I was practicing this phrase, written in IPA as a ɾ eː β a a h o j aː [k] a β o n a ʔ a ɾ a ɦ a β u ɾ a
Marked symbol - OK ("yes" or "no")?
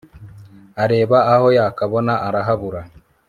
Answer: yes